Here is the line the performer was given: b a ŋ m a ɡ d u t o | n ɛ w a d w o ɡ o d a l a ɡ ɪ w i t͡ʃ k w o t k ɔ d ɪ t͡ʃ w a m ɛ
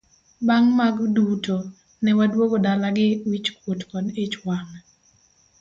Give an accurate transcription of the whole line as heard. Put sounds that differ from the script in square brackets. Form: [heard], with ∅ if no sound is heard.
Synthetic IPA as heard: b a ŋ m a ɡ d u t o | n ɛ w a d w o ɡ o d a l a ɡ ɪ w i t͡ʃ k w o t k ɔ d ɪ t͡ʃ w a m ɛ